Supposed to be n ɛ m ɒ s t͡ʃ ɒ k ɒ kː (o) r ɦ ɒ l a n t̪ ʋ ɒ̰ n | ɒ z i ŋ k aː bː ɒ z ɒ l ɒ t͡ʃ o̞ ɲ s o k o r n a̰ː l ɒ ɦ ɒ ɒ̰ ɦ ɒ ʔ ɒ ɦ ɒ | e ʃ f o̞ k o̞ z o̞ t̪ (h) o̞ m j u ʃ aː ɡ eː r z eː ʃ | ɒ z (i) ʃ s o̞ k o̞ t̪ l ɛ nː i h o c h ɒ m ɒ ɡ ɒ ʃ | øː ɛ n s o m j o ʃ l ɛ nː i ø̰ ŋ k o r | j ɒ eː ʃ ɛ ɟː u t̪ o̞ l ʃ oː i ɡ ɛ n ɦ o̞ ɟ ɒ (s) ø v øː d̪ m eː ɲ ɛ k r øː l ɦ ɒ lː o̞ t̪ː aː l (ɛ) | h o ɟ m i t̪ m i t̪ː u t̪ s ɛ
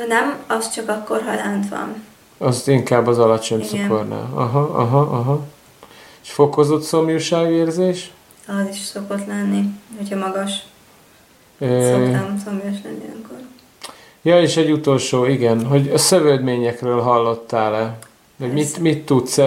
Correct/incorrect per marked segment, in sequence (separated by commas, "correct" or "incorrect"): correct, incorrect, correct, correct, correct